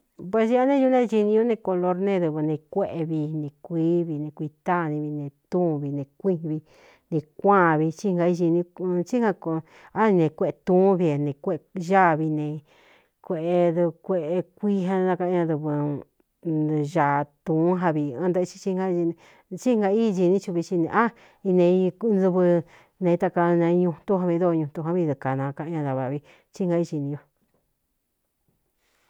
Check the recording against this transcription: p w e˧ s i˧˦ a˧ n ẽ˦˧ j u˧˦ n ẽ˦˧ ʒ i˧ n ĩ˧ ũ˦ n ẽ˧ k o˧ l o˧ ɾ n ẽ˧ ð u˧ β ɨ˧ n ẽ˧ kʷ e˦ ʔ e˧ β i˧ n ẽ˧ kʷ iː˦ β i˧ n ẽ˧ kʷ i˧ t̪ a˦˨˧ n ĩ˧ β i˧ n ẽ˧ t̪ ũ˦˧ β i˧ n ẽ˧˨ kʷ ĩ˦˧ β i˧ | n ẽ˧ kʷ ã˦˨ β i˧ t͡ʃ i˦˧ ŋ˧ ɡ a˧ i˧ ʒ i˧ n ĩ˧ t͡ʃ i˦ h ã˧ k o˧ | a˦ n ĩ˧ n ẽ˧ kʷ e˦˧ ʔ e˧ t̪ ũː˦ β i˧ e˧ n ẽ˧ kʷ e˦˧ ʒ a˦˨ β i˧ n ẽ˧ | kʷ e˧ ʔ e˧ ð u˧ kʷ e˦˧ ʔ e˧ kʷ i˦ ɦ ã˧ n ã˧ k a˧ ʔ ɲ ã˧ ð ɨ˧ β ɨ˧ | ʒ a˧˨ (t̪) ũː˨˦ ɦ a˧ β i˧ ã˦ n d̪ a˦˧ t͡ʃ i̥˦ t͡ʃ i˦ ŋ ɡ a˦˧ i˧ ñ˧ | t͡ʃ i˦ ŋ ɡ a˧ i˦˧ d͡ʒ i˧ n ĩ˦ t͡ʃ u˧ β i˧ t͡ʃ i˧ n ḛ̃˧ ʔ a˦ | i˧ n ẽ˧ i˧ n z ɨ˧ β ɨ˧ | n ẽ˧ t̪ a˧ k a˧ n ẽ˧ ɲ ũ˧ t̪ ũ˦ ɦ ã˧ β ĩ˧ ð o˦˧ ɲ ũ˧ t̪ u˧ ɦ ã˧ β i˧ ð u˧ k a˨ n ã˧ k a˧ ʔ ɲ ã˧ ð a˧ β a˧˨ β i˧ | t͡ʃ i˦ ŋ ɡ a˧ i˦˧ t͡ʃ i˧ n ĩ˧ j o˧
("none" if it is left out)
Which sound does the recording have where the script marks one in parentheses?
t̪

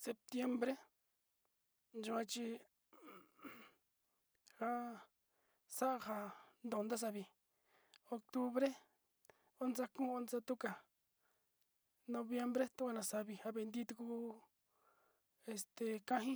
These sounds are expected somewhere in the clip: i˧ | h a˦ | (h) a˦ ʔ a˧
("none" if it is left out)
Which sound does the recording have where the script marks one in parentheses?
s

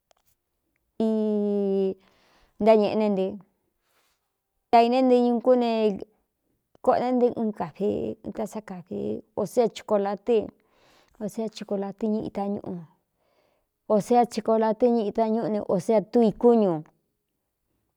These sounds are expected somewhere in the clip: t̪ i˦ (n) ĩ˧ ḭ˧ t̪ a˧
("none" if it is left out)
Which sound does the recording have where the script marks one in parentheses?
ɲ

